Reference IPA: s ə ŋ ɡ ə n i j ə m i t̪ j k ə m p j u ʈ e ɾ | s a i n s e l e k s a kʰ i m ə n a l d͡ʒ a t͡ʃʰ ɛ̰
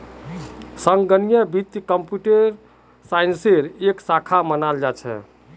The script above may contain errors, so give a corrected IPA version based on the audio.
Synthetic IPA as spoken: s ə ŋ ɡ ə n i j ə b i t̪ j k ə m p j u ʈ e ɾ | s a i n s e ɾ e k s a kʰ a m ə n a l d͡ʒ a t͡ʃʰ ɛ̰

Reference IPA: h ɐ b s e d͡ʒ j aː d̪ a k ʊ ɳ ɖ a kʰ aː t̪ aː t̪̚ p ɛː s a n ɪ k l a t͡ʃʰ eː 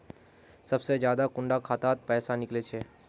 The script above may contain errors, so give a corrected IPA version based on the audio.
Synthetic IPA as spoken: s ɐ b s e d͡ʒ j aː d̪ a k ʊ ɳ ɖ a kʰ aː t̪ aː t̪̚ p ɛː s a n ɪ k l e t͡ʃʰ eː

